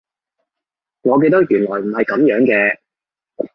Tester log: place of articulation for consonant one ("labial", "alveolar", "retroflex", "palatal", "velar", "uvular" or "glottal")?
velar